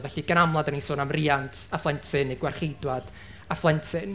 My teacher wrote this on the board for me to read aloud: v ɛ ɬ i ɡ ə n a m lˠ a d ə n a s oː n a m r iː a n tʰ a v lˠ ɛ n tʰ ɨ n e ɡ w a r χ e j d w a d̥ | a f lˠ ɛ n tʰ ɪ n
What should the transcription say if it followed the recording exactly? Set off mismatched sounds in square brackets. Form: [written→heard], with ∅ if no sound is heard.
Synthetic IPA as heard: v ɛ ɬ i ɡ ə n a m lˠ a d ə n [a→i] s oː n a m r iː a n tʰ a [v→f] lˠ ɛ n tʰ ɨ n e ɡ w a r χ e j d w a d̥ | a f lˠ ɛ n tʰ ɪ n